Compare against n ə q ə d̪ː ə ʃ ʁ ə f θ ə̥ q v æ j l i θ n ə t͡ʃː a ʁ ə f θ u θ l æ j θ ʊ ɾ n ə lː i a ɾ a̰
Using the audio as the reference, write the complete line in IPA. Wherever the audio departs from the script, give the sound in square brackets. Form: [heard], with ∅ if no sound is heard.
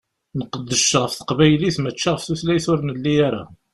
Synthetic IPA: n ə q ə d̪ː ə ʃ ʁ ə f θ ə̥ q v æ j l i θ [m] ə t͡ʃː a ʁ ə f θ u θ l æ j θ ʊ ɾ n ə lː i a ɾ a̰

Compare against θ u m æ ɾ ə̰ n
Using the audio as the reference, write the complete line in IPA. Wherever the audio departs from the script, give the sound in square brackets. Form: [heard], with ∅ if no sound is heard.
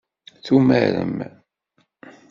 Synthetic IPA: θ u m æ ɾ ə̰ [m]

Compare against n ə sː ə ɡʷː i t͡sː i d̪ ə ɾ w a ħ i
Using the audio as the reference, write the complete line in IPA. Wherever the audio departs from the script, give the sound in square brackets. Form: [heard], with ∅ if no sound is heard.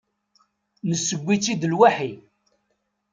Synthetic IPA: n ə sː ə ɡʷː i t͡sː i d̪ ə [l] w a ħ i

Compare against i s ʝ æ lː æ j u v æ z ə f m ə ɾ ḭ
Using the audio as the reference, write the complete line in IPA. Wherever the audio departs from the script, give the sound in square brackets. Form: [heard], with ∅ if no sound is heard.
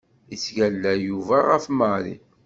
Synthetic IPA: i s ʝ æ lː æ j u v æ [ʁ] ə f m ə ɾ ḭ

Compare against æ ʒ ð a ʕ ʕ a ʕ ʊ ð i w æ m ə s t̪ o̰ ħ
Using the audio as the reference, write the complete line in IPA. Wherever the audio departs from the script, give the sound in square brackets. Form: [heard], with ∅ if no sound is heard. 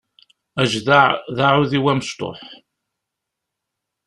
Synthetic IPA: æ ʒ ð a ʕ [ð] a ʕ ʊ ð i w æ m ə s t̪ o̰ ħ

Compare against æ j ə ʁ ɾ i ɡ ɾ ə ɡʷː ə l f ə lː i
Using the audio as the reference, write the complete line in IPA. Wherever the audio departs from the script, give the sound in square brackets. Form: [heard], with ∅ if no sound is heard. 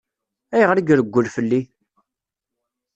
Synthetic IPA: æ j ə ʁ ɾ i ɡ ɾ ə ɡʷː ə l f ə lː i

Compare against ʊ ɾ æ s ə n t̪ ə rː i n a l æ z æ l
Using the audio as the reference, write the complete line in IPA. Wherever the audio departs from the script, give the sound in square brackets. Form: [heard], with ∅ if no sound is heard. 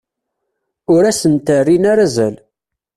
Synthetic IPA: ʊ ɾ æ s ə n t̪ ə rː i n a [ɾ] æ z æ l

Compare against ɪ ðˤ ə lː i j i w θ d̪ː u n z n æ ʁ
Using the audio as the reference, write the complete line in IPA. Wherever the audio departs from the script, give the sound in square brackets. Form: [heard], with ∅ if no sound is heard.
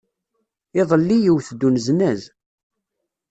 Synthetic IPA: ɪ ðˤ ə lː i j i w θ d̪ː u n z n æ [z]

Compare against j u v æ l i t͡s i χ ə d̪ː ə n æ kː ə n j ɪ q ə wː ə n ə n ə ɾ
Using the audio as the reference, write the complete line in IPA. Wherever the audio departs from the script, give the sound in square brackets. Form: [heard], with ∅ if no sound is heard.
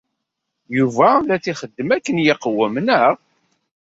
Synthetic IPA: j u v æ l [æ] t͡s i χ ə d̪ː ə [m] æ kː ə n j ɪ q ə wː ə [m] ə n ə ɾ

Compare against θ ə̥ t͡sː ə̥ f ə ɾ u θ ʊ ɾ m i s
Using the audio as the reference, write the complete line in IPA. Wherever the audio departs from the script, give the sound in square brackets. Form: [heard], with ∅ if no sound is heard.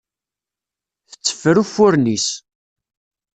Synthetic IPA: θ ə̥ t͡sː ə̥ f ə ɾ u [f] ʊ ɾ [n] i s

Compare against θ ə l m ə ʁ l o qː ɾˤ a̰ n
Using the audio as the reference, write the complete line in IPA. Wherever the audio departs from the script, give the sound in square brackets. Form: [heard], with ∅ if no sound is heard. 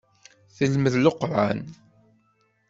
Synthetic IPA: θ ə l m ə [ð] l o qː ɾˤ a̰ n

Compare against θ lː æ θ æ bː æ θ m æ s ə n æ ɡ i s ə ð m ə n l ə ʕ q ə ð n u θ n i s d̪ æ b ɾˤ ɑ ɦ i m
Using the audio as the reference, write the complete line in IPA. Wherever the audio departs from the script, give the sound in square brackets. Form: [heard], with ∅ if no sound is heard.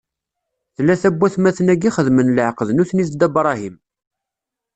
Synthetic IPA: θ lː æ θ æ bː æ θ m æ [θ] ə n æ ɡ i [χ] ə ð m ə n l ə ʕ q ə ð n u θ n i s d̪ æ b ɾˤ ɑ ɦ i m

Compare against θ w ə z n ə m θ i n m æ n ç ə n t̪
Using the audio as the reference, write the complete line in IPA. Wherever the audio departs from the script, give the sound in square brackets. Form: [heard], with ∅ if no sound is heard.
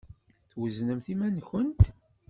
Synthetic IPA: θ w ə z n ə m θ i [∅] m æ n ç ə n t̪

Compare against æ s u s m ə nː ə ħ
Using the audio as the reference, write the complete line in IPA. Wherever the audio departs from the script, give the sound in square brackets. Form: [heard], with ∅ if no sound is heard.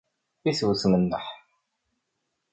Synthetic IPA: [i] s [w] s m ə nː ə ħ

